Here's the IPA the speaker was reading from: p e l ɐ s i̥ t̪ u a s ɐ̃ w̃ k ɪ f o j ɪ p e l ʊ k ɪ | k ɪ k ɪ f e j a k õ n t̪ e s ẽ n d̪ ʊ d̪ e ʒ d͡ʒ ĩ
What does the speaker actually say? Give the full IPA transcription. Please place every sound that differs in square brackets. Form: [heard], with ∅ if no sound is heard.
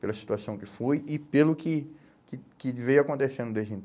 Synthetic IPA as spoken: p e l ɐ s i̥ t̪ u a s ɐ̃ w̃ k ɪ f o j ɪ p e l ʊ k ɪ | k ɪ k ɪ [v] e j a k õ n t̪ e s ẽ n d̪ ʊ d̪ e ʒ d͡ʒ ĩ